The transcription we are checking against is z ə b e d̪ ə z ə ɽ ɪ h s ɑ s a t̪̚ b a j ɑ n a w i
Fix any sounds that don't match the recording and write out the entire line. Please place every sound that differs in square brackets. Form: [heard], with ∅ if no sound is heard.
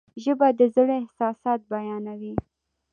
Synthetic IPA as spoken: [ʒ] ə b [a] d̪ ə z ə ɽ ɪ h s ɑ s [ɑ] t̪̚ b a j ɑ n a w i